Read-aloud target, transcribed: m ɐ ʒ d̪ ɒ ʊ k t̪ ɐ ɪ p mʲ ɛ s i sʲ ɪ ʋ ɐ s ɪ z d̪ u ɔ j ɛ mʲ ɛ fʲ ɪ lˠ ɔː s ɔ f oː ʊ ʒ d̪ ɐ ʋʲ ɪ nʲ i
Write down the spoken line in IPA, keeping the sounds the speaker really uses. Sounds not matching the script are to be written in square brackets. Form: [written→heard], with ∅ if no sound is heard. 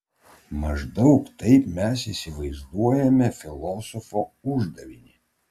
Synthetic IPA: m ɐ ʒ d̪ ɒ ʊ k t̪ ɐ ɪ p mʲ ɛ s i sʲ ɪ ʋ ɐ [s→∅] ɪ z d̪ u ɔ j ɛ mʲ ɛ fʲ ɪ lˠ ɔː s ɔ f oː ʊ ʒ d̪ ɐ ʋʲ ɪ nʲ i